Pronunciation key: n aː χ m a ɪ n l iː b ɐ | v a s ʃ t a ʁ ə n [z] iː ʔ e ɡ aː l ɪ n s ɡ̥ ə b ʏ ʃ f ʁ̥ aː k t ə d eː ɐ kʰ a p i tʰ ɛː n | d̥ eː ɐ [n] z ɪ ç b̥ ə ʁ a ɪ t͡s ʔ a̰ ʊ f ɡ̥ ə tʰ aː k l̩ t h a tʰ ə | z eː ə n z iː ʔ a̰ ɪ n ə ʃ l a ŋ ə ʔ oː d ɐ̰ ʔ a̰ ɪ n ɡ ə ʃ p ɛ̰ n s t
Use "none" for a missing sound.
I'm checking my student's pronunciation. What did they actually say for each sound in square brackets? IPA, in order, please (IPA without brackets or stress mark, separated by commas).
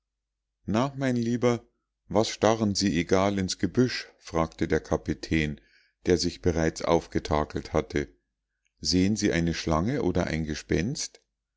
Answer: z, none